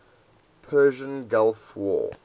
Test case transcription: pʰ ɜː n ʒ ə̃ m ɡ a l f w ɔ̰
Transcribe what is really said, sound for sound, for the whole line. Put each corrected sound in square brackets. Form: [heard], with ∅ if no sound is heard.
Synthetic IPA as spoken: pʰ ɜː [∅] ʒ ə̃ [n] ɡ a l f w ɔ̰